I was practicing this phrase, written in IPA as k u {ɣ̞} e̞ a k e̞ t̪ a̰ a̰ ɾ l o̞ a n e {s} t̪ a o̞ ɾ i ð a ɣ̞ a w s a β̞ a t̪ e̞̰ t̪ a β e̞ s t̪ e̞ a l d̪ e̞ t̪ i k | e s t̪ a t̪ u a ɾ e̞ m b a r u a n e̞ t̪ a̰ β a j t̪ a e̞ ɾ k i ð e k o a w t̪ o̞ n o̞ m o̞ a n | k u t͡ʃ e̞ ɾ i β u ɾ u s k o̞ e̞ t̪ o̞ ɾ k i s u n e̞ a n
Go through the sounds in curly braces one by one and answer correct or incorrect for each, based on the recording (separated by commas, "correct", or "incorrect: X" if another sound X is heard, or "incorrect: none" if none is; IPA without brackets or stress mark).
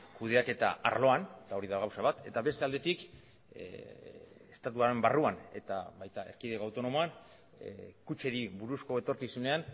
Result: incorrect: ð̞, incorrect: none